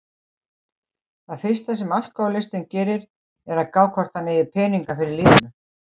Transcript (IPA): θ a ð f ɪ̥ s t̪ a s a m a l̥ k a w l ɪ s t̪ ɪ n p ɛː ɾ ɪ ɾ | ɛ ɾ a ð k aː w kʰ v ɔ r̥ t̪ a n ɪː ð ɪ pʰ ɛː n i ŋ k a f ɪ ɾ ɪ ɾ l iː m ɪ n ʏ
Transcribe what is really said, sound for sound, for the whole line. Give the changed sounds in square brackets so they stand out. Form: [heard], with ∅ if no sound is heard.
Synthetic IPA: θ a ð f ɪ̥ s t̪ a s [ɛ] m a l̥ k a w l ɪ s t̪ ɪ n [c] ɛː ɾ ɪ ɾ | ɛ ɾ a ð k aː w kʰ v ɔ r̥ t̪ a n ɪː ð ɪ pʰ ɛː n i ŋ k a f ɪ ɾ ɪ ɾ l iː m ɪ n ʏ